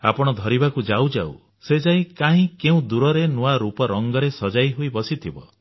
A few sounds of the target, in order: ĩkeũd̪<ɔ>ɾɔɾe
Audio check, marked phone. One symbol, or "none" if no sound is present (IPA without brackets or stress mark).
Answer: u